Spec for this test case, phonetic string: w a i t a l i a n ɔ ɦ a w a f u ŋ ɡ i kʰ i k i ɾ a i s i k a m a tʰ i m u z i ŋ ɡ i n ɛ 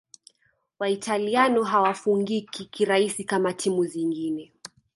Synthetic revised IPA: w a i t a l i a n ɔ ɦ a w a f u ŋ ɡ i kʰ i k i ɾ a i s i k a m a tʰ i m u z i ŋ ɡ i n ɛ